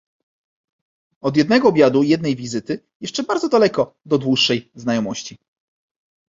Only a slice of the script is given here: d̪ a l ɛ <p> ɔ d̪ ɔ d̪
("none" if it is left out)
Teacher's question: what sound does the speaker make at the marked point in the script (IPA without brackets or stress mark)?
k